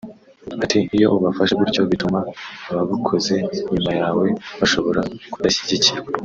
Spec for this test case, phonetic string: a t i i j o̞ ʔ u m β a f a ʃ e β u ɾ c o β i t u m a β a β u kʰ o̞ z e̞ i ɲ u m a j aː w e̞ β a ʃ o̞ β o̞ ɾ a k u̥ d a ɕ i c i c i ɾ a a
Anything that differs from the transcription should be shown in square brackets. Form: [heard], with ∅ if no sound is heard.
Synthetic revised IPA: a t i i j o̞ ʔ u [∅] β a f a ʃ e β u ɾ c o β i t u m a β a β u kʰ o̞ z e̞ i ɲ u m a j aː w e̞ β a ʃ o̞ β o̞ ɾ a k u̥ d a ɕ i [ɟ] i c i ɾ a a